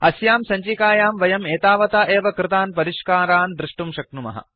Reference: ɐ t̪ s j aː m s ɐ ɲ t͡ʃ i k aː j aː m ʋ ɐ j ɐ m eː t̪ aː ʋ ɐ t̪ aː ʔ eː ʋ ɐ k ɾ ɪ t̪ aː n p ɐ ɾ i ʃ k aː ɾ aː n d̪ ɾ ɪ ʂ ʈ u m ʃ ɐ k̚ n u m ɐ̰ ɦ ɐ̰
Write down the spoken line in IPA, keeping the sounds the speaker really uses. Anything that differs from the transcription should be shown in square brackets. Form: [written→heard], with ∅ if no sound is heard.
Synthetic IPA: ɐ [t̪→∅] s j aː m s ɐ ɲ t͡ʃ i k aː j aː m ʋ ɐ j ɐ m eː t̪ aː ʋ ɐ t̪ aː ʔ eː ʋ ɐ k ɾ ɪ t̪ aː n p ɐ ɾ i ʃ k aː ɾ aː n d̪ ɾ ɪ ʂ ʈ u m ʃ ɐ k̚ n u m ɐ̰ ɦ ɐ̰